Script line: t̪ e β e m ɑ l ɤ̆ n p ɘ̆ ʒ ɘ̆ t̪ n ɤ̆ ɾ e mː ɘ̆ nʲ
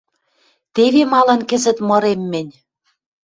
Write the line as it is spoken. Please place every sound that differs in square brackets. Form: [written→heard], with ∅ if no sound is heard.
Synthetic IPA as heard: t̪ e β e m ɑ l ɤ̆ n [p→k] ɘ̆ [ʒ→z] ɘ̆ t̪ [n→m] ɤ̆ ɾ e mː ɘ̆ nʲ